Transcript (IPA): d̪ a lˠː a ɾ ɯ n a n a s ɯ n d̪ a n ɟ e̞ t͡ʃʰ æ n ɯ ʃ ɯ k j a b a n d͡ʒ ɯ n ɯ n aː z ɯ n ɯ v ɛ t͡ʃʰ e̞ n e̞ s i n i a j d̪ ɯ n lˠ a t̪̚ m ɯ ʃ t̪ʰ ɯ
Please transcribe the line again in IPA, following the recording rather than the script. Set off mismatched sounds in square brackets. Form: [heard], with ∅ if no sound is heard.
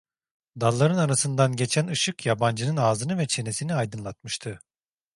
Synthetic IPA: d̪ a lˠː a ɾ ɯ n a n a s ɯ n d̪ a n ɟ e̞ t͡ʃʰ æ n ɯ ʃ ɯ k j a b a n d͡ʒ ɯ n ɯ n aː z ɯ n ɯ v ɛ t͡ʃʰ e̞ n e̞ s i n i a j d̪ ɯ n lˠ a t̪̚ m ɯ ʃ t̪ʰ ɯ